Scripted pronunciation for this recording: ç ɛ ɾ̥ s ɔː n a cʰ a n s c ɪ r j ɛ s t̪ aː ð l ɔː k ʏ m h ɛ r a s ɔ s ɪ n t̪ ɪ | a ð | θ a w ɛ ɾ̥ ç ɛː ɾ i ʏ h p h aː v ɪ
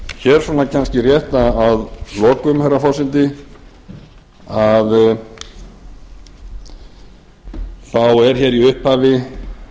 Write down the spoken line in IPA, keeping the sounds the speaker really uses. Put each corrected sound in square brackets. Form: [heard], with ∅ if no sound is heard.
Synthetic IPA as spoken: ç ɛ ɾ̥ s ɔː n a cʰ a n s c ɪ r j ɛ [h] t̪ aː ð l ɔː k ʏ m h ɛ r a [f] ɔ s ɪ n t̪ ɪ | a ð | θ a w ɛ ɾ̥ ç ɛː ɾ i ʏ h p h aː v ɪ